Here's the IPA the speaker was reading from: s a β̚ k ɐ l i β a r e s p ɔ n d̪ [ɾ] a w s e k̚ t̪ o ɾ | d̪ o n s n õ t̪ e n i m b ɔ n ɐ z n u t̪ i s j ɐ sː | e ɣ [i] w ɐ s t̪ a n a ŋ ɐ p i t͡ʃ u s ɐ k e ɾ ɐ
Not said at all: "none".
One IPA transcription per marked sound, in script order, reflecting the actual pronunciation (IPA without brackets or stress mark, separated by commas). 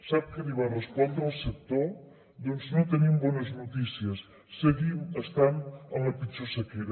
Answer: ɾ, i